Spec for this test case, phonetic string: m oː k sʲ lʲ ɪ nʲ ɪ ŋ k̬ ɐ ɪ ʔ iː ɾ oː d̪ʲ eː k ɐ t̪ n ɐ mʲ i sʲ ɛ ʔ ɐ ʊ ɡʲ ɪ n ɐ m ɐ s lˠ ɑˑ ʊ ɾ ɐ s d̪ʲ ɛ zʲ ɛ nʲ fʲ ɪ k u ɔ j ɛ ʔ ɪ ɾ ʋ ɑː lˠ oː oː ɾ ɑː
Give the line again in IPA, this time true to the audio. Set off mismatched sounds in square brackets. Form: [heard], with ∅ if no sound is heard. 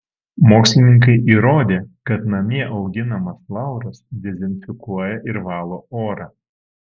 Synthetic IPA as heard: m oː k sʲ lʲ ɪ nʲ ɪ ŋ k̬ ɐ ɪ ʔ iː ɾ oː d̪ʲ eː k ɐ t̪ n ɐ mʲ i [∅] ɛ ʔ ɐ ʊ ɡʲ ɪ n ɐ m ɐ s lˠ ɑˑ ʊ ɾ ɐ s d̪ʲ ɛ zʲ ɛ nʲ fʲ ɪ k u ɔ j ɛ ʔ ɪ ɾ ʋ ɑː lˠ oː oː ɾ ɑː